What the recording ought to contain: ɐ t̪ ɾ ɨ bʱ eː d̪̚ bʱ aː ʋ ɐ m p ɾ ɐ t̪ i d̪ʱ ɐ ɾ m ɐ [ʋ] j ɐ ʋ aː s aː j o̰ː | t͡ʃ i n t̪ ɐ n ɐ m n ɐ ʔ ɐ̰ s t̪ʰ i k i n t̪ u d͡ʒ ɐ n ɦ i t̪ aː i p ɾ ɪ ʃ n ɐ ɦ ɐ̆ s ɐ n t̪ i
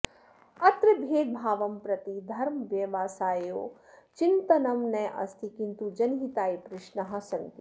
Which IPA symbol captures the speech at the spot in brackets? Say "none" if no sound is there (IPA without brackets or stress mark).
ʋ